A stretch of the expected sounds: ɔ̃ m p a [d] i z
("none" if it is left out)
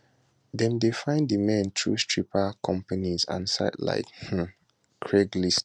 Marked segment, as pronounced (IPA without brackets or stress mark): n